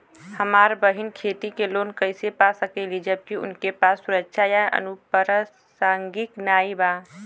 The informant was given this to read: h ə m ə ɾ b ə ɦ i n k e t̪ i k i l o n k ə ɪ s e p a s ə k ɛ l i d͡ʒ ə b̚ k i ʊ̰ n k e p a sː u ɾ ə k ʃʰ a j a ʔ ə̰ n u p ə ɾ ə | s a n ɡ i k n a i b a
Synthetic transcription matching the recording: h ə m a ɾ b ə ɦ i n kʰ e t̪ i k e l o n k ə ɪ s e p a s ə k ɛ l i d͡ʒ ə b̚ k i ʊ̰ n k e p a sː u ɾ ə k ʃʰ a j a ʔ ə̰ n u p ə ɾ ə | s a ŋ ɡ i k n a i b a